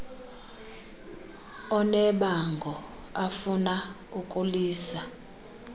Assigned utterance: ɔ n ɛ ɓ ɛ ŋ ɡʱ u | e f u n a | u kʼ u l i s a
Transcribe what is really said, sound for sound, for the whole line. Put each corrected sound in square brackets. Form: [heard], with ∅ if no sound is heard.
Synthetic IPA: ɔ n ɛ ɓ [a] ŋ ɡʱ [ɔ] | [a] f u n a | u kʼ u l [iː] s a

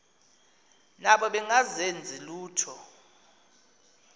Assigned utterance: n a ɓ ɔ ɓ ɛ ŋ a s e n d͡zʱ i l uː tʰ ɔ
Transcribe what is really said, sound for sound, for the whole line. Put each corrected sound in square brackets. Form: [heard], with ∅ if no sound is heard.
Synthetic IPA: n a ɓ ɔ ɓ ɛ ŋ a [z] e n d͡zʱ i l uː tʰ ɔ

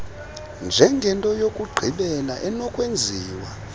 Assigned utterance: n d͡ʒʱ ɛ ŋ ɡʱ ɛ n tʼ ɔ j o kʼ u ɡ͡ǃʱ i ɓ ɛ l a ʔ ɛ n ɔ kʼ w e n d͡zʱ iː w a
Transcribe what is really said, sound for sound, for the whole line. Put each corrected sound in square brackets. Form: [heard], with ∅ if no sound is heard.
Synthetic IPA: n d͡ʒʱ ɛ ŋ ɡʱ ɛ n tʼ ɔ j o kʼ u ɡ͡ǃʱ i ɓ ɛ l a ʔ ɛ n ɔ kʼ w e n d͡zʱ iː w a

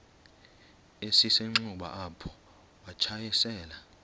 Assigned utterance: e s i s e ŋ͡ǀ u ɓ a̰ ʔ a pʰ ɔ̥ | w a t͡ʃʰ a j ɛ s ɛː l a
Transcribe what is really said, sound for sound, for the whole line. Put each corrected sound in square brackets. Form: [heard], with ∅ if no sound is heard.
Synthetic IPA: e s i s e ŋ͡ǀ u ɓ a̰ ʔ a pʰ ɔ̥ | w a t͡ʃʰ a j ɛ s ɛː l a

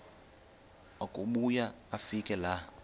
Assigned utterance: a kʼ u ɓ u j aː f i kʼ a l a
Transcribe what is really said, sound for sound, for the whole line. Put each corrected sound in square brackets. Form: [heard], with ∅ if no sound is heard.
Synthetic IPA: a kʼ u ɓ u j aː f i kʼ [ɛ] l a

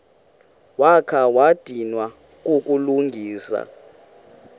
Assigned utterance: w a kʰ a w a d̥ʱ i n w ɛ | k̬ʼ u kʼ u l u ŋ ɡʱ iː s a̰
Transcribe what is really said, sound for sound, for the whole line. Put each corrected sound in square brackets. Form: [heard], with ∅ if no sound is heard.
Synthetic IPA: w a kʰ a w a d̥ʱ i n w [a] | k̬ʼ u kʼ u l u ŋ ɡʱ iː s a̰

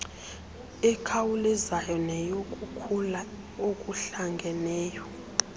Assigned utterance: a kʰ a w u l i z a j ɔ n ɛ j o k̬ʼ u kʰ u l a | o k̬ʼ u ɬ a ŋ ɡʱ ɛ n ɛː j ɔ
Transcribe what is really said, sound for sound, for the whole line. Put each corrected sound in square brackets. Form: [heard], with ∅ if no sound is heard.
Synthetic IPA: [ɛ] kʰ a w u l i z a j ɔ n ɛ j o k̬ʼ u kʰ u l a | o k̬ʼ u ɬ a ŋ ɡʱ ɛ n ɛː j ɔ

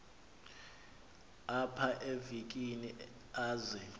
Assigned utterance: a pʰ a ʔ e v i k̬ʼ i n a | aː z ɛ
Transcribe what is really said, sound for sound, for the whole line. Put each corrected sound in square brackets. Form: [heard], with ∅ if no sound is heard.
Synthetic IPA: a pʰ a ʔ e v i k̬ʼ i n [i] | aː z ɛ

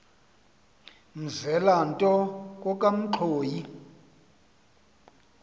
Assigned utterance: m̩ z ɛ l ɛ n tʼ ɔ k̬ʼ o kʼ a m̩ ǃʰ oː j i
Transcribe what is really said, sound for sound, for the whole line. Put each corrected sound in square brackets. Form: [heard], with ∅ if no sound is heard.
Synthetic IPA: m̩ z ɛ l [a] n tʼ ɔ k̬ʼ [ɔ] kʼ a m̩ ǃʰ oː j i

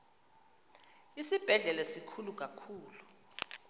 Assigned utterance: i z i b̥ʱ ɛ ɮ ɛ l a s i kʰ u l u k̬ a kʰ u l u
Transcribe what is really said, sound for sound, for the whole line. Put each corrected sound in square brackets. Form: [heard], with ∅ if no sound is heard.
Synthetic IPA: i [s] i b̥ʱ ɛ ɮ ɛ l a s i kʰ u l u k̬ a kʰ [uː] l u

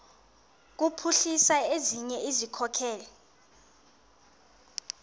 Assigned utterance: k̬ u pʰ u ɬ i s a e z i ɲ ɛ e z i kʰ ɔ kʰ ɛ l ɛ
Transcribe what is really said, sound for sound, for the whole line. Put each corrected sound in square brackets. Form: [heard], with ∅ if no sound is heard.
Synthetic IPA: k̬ u pʰ u ɬ i s a e z i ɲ ɛ [i] z i kʰ ɔ kʰ [ɛː] l ɛ

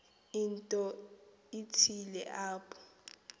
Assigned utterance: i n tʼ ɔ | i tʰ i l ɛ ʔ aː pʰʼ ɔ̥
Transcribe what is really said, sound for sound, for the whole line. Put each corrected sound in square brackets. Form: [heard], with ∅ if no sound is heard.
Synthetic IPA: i n tʼ ɔ | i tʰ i l ɛ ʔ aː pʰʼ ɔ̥

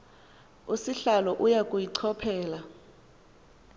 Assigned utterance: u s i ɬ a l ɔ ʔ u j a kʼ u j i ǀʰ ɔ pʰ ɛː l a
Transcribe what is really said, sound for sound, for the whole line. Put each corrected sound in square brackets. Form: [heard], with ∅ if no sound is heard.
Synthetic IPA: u s i ɬ a l ɔ ʔ u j a kʼ u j i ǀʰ ɔ pʰ ɛː l a

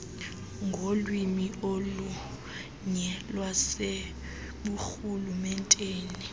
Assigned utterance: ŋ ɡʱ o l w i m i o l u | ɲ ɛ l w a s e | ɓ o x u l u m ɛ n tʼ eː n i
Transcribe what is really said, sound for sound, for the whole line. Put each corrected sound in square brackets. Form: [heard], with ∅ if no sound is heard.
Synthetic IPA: ŋ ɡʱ o l w i m i o l u | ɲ ɛ l w a s e | ɓ [u] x u l u m ɛ n tʼ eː n i

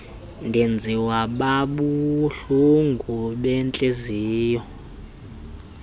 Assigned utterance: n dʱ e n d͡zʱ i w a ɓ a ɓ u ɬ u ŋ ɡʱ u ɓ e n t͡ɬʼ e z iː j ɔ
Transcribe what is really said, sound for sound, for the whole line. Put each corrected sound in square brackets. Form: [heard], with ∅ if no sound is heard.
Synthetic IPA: n dʱ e n d͡zʱ i w a ɓ a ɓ u ɬ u ŋ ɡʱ u ɓ [ɛ] n t͡ɬʼ e z iː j ɔ

